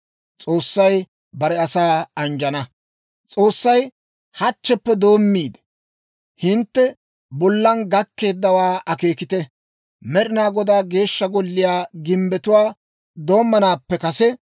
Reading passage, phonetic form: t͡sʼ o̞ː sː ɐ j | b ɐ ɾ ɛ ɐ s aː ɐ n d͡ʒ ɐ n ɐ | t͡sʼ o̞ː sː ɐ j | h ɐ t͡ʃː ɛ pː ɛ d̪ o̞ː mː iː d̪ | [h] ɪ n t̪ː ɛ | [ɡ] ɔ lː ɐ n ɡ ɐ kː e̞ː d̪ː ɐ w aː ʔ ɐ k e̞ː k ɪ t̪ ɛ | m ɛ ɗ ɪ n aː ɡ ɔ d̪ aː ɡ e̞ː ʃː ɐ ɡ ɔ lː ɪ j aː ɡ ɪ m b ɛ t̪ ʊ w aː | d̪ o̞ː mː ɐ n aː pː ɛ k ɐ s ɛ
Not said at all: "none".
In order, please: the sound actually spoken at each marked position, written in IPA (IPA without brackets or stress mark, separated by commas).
h, b